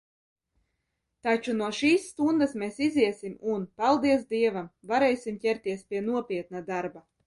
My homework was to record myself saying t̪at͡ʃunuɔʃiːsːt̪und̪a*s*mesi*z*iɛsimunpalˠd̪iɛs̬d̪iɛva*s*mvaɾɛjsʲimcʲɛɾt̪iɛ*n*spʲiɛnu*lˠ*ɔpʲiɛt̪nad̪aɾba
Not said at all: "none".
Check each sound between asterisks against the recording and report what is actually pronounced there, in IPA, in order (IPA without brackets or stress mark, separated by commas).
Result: s, z, none, none, none